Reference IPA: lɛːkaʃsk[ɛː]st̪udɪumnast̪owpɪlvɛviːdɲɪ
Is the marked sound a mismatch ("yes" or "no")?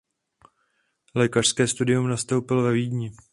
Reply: no